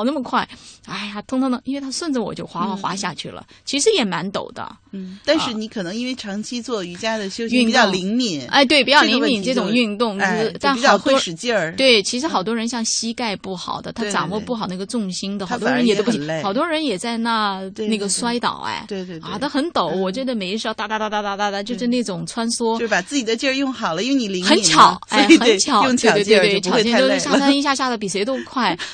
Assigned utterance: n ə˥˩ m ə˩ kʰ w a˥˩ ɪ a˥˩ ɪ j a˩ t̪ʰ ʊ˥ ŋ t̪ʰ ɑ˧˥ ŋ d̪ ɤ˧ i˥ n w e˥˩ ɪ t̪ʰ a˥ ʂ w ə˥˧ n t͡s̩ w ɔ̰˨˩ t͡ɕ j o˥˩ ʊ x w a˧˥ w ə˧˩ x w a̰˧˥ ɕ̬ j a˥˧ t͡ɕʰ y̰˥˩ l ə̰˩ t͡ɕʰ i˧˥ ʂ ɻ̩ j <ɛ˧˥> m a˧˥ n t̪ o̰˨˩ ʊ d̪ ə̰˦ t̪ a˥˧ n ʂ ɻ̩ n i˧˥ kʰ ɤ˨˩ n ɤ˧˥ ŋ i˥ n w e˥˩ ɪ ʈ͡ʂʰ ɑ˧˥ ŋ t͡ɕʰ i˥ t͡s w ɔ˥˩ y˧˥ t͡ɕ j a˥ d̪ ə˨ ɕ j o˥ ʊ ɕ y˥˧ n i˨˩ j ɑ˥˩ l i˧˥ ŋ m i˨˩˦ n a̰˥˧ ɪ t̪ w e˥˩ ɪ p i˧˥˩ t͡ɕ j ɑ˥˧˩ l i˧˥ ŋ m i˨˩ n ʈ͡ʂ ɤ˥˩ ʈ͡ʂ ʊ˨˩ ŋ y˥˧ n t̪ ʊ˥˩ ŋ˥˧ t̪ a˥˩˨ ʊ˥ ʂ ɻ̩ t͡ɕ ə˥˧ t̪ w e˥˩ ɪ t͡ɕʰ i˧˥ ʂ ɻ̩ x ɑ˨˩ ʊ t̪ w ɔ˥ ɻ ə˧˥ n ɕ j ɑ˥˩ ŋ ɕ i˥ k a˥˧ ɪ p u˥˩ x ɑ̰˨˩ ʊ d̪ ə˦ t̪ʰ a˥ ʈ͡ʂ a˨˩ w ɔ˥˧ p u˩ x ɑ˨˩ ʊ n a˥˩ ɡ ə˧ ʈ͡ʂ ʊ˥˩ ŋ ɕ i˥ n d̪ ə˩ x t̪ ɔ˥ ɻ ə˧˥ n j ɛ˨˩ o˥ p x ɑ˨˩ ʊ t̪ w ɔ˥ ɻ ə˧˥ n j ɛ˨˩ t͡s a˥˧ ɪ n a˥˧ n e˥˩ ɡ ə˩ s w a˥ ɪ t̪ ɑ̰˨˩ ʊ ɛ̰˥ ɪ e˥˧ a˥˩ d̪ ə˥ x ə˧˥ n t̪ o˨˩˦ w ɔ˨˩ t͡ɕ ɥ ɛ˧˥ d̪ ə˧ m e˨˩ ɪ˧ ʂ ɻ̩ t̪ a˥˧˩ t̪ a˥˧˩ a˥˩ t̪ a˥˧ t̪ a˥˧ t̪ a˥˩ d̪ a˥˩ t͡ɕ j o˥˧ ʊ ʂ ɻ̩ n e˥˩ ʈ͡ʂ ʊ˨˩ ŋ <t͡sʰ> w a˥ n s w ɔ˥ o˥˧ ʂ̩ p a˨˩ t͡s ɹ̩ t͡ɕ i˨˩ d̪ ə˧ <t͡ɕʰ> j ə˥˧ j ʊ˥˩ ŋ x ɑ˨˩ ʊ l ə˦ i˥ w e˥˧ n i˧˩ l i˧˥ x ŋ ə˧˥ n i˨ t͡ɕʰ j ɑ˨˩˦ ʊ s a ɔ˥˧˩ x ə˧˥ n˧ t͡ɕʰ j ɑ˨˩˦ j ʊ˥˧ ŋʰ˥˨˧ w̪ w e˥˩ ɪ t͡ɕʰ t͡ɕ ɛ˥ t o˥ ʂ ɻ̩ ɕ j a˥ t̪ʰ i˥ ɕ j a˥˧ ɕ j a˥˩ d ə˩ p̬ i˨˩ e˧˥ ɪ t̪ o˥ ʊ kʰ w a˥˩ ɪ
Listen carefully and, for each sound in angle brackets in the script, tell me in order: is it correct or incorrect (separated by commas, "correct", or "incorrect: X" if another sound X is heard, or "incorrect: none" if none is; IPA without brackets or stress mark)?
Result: incorrect: ɛ˨˩, correct, incorrect: t͡ɕ